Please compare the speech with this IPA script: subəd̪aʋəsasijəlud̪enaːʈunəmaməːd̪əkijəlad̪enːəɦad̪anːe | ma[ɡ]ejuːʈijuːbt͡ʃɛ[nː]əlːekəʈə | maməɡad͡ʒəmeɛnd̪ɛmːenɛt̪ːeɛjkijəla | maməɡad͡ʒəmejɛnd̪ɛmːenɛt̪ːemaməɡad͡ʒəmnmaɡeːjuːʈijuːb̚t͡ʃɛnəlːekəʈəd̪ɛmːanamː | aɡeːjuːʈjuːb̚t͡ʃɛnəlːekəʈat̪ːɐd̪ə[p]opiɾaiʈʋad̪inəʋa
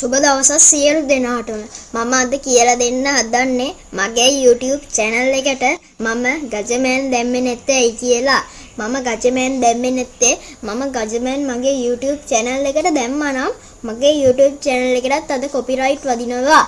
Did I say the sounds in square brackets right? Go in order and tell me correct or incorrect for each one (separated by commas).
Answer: correct, incorrect, incorrect